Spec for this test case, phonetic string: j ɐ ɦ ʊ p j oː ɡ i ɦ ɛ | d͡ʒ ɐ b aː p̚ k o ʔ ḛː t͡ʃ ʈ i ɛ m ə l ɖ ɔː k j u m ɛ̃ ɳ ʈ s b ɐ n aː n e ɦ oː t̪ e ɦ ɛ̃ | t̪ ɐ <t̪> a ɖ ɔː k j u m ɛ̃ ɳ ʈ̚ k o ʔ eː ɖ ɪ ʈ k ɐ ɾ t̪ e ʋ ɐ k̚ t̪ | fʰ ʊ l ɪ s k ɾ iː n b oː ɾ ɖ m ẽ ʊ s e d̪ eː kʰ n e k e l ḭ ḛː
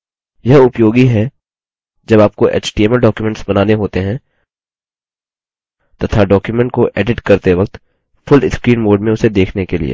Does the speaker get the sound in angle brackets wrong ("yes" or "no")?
yes